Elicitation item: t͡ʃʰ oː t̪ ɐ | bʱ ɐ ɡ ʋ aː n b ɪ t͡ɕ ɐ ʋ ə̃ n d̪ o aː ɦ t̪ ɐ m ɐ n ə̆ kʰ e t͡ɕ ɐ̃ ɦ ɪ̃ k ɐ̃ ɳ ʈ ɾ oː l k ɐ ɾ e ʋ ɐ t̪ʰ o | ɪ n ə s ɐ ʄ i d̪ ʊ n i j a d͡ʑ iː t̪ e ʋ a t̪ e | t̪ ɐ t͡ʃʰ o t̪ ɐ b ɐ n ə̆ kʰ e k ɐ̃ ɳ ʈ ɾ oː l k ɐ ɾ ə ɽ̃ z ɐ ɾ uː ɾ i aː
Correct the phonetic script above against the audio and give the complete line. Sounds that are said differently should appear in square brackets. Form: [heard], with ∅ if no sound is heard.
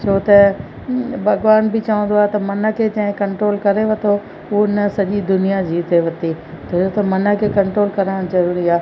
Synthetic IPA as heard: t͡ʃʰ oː t̪ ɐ | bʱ ɐ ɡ ʋ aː n b ɪ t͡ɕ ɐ ʋ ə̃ n d̪ o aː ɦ t̪ ɐ m ɐ n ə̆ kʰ e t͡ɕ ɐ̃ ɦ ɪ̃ k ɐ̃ ɳ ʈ ɾ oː l k ɐ ɾ e ʋ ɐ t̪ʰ o | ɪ n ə s ɐ ʄ i d̪ ʊ n i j a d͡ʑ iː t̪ e ʋ [ɐ] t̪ [i] | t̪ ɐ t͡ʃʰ o t̪ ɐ [m] ɐ n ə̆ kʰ e k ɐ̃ ɳ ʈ ɾ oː l k ɐ ɾ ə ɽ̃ z ɐ ɾ uː ɾ i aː